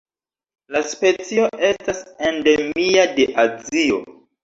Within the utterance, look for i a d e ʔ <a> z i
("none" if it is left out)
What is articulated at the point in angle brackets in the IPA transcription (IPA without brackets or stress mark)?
a